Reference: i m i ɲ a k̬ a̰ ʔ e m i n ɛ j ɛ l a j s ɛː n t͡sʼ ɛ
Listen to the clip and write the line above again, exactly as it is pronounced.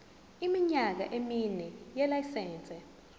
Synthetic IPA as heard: i m i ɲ a k̬ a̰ ʔ e m i n ɛ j ɛ l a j s ɛː n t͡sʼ ɛ